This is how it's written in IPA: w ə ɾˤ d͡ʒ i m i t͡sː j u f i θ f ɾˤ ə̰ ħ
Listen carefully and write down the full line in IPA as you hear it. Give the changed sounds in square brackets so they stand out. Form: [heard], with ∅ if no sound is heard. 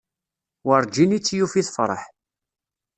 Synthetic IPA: w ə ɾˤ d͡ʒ i [n] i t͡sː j u f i θ f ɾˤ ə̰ ħ